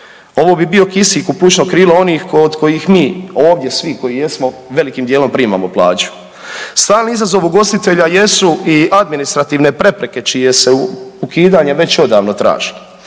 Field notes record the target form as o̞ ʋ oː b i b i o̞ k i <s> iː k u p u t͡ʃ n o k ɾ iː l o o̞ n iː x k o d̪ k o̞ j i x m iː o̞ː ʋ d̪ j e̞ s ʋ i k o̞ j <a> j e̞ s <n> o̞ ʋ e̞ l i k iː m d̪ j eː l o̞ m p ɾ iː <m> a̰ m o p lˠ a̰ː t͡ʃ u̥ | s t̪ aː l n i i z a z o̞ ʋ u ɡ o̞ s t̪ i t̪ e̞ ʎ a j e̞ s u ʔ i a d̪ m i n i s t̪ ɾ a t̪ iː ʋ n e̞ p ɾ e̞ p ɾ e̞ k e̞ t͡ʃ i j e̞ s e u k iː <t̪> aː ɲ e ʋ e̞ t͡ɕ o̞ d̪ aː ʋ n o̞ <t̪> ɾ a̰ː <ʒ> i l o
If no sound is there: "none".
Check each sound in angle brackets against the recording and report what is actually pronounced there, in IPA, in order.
s, i, m, m, d̪, t̪, ʒ

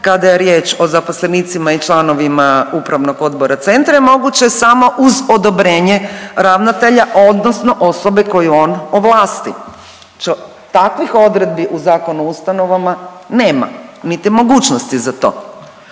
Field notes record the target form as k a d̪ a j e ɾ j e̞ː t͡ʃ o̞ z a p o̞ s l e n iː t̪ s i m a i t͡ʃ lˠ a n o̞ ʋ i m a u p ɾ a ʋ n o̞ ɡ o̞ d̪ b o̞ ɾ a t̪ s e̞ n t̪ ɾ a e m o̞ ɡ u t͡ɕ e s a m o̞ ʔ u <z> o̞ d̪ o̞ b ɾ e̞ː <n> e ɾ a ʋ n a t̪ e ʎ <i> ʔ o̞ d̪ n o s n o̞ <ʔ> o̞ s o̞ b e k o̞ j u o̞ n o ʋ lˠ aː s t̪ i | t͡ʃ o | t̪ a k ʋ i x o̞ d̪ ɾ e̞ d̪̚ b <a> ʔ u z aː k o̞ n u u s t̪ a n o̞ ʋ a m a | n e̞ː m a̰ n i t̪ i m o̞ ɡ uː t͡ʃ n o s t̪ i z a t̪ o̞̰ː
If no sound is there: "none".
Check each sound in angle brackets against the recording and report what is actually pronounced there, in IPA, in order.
z, ɲ, a, ʔ, i

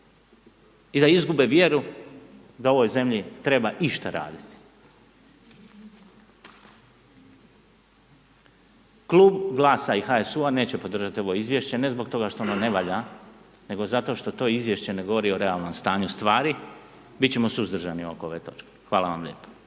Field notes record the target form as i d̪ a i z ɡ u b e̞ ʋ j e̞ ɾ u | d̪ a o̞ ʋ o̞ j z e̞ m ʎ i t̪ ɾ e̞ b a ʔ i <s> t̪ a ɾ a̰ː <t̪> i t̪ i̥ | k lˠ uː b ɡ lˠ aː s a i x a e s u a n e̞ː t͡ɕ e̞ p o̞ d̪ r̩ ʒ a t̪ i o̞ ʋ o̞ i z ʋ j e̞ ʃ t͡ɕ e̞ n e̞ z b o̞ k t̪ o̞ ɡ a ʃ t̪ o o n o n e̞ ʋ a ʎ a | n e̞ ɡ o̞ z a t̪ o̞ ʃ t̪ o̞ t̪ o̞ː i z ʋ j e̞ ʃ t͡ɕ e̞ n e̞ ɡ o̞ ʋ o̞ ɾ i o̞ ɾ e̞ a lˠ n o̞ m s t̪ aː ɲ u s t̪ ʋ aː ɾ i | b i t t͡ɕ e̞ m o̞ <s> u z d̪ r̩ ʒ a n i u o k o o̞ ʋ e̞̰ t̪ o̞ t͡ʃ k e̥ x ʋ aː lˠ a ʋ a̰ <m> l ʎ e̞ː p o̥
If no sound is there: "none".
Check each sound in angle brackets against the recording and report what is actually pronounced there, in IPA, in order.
ʃ, d̪, s, m

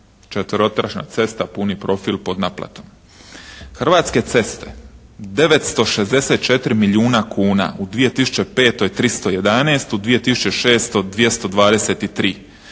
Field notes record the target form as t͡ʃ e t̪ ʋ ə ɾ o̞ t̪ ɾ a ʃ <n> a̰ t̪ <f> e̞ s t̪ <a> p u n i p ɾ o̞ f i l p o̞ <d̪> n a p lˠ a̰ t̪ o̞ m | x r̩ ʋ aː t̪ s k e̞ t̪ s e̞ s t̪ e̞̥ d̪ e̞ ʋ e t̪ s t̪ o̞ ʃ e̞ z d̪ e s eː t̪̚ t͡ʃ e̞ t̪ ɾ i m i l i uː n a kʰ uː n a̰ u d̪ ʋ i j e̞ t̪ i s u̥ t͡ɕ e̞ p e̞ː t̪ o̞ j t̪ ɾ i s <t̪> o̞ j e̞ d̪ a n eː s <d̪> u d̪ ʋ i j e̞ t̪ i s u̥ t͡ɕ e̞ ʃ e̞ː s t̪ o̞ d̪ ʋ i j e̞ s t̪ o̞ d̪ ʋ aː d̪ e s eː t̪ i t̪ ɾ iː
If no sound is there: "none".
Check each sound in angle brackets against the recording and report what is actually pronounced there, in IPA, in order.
n, s, a, d̪, t̪, t̪

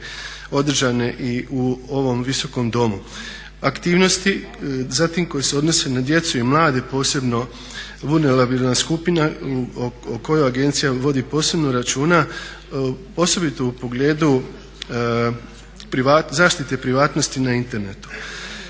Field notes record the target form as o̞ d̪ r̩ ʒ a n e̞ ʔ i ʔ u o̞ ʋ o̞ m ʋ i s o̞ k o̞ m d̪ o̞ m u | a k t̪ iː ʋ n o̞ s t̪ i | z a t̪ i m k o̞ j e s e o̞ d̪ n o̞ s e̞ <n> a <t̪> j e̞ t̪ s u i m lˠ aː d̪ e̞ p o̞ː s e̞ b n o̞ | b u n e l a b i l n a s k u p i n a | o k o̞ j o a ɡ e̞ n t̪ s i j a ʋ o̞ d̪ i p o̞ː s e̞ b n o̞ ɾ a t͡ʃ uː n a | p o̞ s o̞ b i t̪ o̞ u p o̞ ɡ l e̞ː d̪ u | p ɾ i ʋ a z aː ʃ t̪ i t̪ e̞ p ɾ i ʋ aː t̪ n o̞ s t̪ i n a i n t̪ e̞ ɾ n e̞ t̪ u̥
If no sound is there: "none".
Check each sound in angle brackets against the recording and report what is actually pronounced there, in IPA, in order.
n, d̪

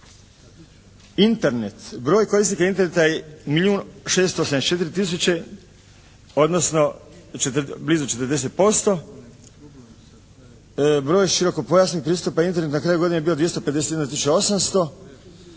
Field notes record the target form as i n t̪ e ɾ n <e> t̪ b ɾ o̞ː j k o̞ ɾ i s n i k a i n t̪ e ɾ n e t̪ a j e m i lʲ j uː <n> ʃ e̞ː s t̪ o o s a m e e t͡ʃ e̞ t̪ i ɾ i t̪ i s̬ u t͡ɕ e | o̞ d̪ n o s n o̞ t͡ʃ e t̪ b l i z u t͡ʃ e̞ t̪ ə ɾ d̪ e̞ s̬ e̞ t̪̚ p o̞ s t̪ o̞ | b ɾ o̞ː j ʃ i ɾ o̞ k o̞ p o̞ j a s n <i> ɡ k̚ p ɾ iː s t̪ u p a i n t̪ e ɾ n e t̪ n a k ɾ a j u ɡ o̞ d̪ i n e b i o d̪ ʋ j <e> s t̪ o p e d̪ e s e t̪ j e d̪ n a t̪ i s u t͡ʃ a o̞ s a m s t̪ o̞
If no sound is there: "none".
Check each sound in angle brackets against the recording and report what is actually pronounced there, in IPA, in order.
e, n, i, e

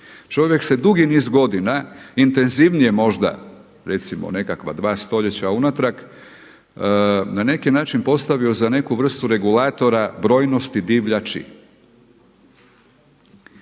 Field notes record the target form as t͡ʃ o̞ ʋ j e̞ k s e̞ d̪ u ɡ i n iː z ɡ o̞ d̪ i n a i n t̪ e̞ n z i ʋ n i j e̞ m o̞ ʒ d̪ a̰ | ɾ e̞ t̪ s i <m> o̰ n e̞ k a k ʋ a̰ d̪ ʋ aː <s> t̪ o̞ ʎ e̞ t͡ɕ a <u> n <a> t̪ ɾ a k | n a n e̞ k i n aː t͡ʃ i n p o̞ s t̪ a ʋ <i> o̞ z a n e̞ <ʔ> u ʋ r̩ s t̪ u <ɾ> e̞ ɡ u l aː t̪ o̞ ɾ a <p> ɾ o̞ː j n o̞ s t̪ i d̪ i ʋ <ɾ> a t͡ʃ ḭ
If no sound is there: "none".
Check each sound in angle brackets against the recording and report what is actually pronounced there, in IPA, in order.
m, s, u, a, i, k, ɾ, b, ʎ

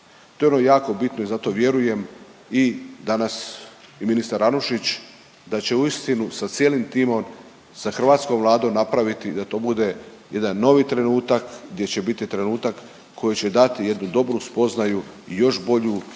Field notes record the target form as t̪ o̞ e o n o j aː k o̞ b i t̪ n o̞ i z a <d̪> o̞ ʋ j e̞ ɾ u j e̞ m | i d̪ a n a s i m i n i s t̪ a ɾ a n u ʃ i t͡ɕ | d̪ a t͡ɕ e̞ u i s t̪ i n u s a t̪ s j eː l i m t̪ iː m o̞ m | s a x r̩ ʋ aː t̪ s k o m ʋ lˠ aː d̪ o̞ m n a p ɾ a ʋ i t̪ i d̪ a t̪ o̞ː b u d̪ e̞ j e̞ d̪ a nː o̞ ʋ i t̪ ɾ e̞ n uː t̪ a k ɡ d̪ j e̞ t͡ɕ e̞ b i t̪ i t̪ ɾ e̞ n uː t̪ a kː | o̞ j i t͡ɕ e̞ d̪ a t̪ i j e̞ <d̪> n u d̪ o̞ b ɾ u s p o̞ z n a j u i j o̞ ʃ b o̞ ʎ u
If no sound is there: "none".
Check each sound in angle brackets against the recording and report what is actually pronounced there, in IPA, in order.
t̪, d̪

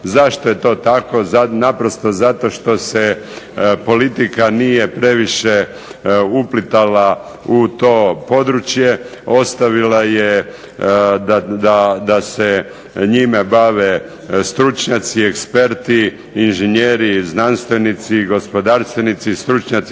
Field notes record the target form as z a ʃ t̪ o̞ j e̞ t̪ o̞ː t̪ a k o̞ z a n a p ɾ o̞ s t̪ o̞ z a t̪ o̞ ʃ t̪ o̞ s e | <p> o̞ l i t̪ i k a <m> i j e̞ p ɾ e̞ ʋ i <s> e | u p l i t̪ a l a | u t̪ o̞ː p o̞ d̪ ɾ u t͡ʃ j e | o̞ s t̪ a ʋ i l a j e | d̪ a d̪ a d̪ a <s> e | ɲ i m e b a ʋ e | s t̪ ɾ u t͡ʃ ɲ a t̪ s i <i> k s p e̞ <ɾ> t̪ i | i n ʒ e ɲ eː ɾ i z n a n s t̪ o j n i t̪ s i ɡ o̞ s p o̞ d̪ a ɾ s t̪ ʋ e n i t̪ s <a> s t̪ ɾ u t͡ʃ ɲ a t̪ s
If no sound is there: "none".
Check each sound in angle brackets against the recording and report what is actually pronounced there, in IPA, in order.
p, n, ʃ, s, e, ɾ, i

